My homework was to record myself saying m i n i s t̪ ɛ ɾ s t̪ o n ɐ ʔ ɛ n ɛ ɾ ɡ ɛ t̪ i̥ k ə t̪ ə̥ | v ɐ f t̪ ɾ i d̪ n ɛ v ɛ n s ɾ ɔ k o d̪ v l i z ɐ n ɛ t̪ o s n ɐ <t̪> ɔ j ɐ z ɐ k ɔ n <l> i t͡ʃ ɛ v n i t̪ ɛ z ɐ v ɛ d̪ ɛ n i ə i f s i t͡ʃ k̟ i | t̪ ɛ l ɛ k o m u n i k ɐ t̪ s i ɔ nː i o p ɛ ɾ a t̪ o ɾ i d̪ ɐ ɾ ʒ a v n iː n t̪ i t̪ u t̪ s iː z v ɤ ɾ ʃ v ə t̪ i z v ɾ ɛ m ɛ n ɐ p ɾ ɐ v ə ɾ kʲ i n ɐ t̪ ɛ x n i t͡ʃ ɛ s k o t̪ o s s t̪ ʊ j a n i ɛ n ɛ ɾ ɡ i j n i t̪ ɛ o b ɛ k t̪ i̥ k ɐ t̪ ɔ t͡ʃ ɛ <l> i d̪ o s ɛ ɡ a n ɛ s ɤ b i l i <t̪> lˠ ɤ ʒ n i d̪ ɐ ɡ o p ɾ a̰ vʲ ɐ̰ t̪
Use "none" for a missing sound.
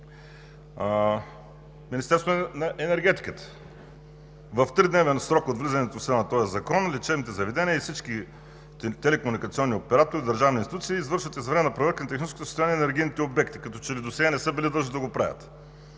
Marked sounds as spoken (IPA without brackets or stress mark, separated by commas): t̪, l, l, d̪